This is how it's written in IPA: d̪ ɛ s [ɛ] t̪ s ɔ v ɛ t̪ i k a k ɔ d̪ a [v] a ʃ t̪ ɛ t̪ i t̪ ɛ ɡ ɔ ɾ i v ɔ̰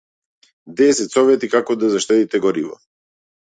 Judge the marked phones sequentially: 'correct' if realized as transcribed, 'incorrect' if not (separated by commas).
correct, incorrect